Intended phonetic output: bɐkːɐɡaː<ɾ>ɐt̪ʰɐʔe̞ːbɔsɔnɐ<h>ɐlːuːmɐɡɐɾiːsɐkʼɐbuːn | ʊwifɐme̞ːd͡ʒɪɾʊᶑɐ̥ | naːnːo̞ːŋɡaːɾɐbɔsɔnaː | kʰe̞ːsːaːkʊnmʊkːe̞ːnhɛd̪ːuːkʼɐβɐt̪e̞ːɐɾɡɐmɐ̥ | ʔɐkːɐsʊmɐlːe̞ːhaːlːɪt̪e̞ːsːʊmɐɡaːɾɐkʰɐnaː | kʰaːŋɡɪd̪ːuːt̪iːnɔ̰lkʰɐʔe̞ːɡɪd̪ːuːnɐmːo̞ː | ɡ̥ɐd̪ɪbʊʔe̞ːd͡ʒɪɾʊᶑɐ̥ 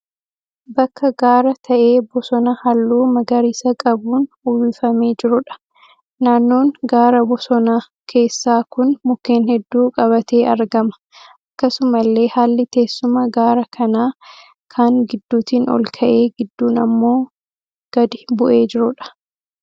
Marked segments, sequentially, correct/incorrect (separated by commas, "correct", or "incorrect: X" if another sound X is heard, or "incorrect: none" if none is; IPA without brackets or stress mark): correct, correct